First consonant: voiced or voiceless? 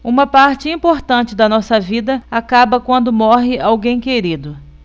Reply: voiced